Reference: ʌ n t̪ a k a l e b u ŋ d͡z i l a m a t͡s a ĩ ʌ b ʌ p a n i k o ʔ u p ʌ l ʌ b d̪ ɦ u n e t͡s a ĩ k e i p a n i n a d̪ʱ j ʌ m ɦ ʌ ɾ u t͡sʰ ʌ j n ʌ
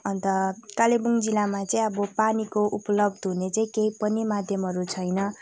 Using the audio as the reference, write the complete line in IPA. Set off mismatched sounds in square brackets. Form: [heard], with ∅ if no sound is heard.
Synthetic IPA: ʌ n t̪ [ʌ] k a l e b u ŋ d͡z i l a m a t͡s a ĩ ʌ b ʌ p a n i k o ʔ u p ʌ l ʌ b d̪ ɦ u n e t͡s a ĩ k e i p [ʌ] n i [m] a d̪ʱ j ʌ m ɦ ʌ ɾ u t͡sʰ ʌ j n ʌ